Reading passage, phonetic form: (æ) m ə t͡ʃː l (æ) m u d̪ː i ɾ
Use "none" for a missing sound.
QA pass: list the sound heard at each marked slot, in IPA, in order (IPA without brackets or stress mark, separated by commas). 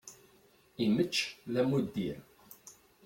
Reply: i, æ